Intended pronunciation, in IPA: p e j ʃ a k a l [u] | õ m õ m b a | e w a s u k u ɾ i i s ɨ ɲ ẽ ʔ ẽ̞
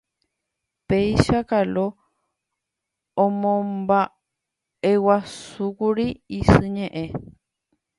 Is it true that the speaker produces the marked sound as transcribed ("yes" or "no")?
no